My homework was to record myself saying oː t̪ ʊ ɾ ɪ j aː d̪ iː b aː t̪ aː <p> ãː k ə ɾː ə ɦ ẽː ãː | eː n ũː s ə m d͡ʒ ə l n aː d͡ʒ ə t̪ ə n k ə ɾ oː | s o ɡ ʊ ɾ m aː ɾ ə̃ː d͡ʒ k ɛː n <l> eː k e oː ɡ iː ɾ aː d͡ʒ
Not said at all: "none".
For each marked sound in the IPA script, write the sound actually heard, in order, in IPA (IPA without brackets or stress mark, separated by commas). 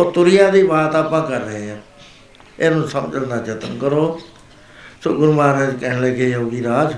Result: p, l